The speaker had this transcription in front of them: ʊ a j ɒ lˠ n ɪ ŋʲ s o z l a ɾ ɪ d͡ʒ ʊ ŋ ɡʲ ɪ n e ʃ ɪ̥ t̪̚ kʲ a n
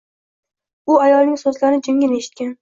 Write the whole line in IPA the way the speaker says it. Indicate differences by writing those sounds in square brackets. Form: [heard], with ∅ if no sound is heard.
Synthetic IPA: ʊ a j ɒ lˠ n ɪ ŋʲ s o z l a ɾ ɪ d͡ʒ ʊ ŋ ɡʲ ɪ n e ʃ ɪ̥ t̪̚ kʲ a n